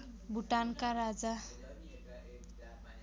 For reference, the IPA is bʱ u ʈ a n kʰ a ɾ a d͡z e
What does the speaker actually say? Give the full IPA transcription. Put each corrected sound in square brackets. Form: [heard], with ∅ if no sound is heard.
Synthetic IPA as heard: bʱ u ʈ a n [k] a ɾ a d͡z [a]